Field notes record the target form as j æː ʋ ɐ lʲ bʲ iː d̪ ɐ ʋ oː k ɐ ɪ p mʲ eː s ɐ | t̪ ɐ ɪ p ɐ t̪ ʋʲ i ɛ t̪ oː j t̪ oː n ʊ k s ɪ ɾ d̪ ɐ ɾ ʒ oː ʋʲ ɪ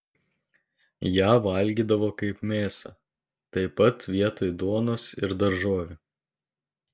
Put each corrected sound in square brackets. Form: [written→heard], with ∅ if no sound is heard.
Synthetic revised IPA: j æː ʋ ɐ lʲ [bʲ→ɡʲ] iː d̪ ɐ ʋ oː k ɐ ɪ p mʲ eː s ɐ | t̪ ɐ ɪ p ɐ t̪ ʋʲ i ɛ t̪ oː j [t̪→d̪] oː n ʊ [k→∅] s ɪ ɾ d̪ ɐ ɾ ʒ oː ʋʲ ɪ